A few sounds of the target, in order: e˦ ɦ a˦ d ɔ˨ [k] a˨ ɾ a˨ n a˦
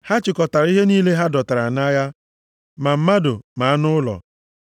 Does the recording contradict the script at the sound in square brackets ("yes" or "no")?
yes